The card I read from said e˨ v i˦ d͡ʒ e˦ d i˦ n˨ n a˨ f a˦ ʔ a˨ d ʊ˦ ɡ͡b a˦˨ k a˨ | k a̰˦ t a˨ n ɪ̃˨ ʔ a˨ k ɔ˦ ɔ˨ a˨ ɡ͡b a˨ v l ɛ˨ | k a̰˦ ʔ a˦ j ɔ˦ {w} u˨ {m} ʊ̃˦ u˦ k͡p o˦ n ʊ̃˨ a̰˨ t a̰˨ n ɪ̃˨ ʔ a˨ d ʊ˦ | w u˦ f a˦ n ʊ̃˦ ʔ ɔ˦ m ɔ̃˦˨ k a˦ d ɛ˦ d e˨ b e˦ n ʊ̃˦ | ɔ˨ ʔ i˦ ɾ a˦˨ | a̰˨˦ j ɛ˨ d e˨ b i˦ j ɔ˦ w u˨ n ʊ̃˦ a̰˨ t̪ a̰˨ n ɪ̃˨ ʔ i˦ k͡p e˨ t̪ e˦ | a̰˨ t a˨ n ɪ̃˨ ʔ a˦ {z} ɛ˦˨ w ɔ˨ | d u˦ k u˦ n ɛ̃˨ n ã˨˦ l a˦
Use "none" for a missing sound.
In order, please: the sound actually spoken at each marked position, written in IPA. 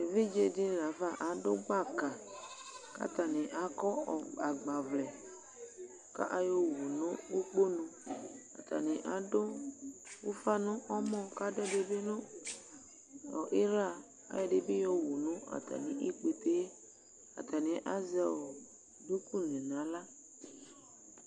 w, n, z

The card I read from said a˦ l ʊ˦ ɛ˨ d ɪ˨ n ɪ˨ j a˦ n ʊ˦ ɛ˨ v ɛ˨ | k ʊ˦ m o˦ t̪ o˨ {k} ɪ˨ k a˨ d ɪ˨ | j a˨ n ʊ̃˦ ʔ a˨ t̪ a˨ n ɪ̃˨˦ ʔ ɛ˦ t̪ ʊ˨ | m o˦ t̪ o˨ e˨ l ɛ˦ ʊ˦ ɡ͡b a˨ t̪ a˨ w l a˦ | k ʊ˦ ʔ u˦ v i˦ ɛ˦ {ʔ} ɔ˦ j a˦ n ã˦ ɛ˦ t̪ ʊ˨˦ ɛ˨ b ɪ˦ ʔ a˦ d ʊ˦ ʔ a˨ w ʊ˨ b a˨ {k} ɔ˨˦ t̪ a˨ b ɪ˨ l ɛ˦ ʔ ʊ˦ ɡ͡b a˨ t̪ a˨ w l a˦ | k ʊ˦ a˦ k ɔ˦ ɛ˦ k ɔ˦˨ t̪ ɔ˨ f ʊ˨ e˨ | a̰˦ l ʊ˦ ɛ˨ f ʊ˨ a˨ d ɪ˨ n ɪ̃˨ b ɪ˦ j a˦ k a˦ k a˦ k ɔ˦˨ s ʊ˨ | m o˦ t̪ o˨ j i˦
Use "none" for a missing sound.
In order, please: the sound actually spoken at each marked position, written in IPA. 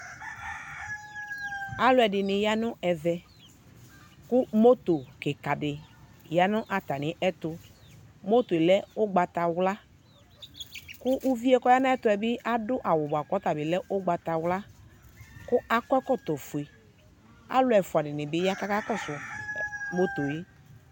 k, k, k

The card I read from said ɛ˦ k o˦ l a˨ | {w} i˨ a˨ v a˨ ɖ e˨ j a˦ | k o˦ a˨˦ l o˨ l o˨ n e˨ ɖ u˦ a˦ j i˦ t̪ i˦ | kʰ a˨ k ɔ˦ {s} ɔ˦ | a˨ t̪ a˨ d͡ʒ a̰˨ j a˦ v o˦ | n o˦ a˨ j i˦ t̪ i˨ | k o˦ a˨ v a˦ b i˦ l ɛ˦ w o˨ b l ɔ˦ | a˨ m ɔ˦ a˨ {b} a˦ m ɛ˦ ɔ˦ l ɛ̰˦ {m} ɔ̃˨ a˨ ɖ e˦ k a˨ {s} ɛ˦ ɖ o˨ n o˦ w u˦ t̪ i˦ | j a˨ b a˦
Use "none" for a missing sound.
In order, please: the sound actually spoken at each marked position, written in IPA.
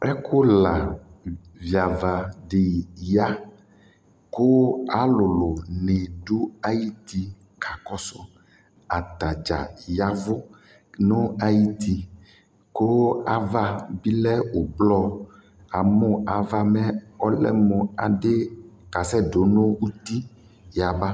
v, s, v, m, s

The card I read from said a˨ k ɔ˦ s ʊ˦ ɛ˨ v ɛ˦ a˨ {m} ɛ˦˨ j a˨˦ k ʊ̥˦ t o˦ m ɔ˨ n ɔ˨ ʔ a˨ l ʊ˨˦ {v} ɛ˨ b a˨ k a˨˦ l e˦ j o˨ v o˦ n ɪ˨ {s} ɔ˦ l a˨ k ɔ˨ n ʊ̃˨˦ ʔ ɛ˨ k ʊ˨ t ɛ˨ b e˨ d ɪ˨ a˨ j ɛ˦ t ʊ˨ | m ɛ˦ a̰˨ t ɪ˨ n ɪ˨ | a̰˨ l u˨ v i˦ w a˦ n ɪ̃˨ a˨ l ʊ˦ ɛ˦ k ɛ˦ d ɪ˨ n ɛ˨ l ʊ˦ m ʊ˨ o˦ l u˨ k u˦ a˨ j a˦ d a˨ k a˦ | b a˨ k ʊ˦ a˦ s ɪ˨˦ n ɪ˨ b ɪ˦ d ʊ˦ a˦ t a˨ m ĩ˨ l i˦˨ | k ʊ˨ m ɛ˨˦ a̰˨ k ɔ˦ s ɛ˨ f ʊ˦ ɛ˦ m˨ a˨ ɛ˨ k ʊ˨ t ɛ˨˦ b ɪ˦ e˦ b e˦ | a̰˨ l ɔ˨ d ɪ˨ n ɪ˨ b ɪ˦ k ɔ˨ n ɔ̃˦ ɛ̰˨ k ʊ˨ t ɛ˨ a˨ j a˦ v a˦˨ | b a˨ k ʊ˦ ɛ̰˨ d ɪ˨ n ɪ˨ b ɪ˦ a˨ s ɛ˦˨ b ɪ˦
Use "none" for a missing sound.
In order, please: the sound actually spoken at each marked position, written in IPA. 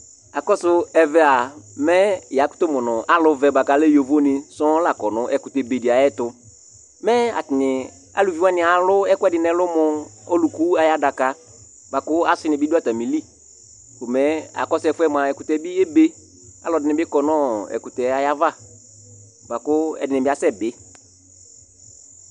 m, v, s

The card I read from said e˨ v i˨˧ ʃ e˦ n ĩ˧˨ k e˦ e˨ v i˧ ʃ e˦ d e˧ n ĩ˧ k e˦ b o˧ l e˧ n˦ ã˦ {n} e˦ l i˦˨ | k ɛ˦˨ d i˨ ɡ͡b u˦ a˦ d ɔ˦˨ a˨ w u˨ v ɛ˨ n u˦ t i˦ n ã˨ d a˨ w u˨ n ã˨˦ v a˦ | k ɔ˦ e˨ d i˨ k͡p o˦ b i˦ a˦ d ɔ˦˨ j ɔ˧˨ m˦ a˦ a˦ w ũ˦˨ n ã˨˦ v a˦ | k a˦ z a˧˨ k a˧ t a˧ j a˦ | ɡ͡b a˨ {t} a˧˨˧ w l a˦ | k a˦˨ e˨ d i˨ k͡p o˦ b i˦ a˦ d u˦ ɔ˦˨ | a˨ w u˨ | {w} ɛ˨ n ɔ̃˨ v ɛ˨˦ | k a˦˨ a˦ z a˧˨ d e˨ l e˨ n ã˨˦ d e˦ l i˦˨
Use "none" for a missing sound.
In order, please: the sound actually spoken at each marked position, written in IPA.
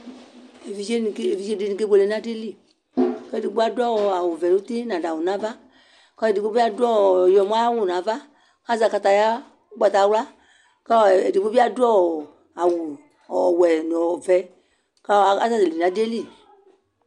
d, t, w

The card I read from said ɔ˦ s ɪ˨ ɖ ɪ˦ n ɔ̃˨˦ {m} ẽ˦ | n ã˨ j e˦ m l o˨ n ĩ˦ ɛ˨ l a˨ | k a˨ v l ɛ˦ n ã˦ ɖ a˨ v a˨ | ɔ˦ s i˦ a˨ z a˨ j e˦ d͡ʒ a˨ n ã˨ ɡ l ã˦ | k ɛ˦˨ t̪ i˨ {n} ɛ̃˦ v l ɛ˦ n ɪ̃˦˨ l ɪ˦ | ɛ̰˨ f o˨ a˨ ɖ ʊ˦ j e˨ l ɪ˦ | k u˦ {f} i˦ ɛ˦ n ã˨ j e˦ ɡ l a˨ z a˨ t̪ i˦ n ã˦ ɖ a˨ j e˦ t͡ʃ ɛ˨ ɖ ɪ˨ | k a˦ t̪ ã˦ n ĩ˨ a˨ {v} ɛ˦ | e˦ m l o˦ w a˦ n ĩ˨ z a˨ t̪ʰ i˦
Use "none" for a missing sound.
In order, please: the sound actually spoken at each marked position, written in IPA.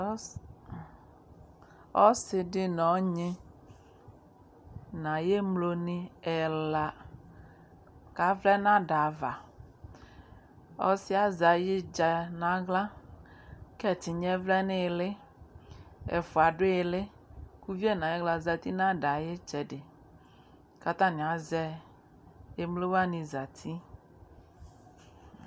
ɲ, ɲ, v, z

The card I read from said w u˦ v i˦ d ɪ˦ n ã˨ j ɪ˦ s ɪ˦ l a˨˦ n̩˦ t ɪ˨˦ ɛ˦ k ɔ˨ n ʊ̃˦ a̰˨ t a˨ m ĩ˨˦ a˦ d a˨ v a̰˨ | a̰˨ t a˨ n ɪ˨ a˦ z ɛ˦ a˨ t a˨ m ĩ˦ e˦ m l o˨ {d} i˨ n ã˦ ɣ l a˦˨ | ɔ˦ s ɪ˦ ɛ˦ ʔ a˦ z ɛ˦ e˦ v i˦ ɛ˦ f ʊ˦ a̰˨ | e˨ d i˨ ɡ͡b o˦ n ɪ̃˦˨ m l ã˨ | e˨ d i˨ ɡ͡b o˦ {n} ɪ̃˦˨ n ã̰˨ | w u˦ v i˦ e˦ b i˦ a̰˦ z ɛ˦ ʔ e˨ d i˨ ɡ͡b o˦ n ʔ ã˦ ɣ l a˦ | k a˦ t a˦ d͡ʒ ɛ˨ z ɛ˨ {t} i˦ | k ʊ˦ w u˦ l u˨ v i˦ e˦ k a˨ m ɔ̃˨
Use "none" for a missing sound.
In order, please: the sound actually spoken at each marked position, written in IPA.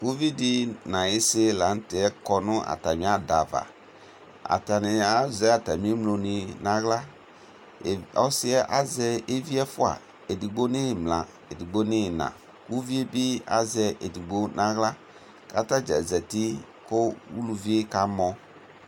n, n, t

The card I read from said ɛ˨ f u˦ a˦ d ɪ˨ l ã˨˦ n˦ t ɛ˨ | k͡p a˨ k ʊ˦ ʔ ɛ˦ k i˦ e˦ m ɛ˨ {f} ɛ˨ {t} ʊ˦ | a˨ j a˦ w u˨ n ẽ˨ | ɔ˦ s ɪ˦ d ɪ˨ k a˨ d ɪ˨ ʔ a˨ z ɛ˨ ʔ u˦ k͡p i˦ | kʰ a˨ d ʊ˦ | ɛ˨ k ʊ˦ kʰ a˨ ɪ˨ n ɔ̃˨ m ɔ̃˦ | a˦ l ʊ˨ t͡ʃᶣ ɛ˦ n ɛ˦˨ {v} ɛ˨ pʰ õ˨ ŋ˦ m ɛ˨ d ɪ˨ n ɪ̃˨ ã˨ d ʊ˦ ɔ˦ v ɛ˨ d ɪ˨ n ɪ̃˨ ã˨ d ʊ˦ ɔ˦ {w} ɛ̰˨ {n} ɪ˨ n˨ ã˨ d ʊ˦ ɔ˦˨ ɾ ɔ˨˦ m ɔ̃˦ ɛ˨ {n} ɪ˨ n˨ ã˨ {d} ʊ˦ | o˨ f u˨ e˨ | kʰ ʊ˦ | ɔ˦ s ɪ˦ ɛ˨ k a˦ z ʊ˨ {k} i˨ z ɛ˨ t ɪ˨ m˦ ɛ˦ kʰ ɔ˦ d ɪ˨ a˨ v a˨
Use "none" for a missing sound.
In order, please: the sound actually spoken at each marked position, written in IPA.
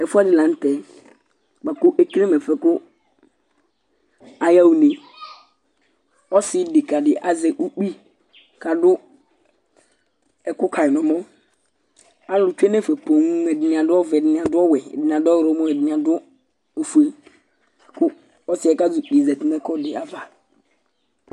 f, k, f, w, d, d, d, k͡p

